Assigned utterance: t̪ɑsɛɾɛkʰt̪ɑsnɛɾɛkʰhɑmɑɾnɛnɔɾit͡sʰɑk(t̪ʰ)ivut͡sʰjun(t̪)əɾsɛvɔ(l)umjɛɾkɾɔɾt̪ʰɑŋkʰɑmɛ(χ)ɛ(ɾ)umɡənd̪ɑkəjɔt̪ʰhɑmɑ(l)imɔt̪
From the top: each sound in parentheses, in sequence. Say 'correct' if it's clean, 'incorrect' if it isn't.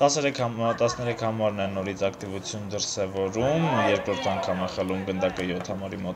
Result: incorrect: t̪, incorrect: d̪, incorrect: ɾ, correct, incorrect: l, incorrect: ɾ

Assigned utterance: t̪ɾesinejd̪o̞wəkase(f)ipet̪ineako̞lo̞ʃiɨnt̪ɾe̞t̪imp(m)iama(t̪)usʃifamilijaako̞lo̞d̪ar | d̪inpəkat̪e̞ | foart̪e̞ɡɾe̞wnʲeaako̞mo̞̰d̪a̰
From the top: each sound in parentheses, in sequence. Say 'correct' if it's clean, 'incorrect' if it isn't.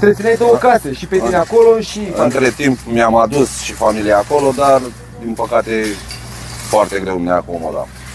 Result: incorrect: ʃ, correct, incorrect: d̪

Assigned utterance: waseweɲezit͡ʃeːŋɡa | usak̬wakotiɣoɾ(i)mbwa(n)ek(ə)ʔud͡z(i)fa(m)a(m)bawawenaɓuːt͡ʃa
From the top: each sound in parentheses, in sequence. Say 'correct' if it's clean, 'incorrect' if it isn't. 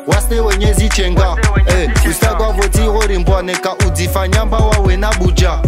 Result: correct, correct, incorrect: a, correct, incorrect: ɲ, correct

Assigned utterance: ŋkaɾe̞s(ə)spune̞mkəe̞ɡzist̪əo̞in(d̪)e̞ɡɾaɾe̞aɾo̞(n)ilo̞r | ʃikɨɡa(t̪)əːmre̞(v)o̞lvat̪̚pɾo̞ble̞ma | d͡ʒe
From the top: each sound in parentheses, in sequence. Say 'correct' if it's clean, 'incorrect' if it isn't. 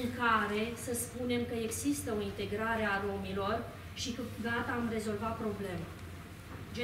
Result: correct, incorrect: t̪, incorrect: m, correct, incorrect: z

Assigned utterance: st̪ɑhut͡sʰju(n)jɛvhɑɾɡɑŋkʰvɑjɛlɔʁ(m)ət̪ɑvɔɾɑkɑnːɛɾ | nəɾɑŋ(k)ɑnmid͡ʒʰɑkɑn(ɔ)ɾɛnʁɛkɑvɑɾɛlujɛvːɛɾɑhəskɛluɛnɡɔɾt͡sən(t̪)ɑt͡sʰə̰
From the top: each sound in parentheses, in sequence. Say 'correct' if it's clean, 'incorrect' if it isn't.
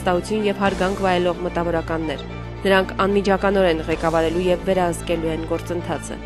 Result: correct, correct, incorrect: kʰ, correct, incorrect: t̪ʰ

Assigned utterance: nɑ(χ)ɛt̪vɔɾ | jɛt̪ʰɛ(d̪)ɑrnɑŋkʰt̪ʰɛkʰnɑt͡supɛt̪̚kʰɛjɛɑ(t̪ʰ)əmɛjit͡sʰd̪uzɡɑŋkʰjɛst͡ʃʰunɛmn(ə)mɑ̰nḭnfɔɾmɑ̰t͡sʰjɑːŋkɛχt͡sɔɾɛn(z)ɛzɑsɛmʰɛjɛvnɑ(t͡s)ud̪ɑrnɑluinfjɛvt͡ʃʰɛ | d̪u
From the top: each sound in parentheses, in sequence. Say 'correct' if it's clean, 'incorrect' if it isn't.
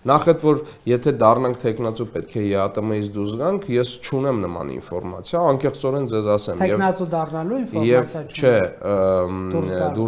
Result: correct, correct, incorrect: t̪, correct, incorrect: d͡z, correct

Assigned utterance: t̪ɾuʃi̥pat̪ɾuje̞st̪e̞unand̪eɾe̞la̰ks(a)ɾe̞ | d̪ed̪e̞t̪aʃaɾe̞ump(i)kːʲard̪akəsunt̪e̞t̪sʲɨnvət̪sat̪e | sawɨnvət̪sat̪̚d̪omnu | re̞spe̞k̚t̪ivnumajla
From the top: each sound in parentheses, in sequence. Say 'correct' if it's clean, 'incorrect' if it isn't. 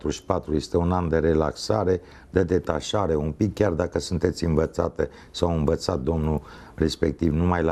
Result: correct, correct

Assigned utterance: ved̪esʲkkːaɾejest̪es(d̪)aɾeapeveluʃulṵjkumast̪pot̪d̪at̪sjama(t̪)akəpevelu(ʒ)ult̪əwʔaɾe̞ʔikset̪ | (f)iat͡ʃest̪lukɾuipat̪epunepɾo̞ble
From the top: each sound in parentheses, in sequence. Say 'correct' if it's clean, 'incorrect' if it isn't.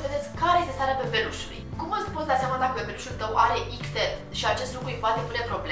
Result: incorrect: t̪, incorrect: d̪, incorrect: ʃ, incorrect: ʃ

